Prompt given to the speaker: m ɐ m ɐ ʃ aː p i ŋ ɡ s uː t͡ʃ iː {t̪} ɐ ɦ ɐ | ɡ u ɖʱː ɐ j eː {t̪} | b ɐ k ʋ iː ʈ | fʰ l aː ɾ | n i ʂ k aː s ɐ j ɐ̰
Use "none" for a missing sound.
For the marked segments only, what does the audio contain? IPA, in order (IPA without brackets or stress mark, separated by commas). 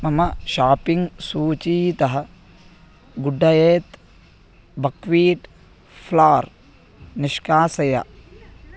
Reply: t̪, t̪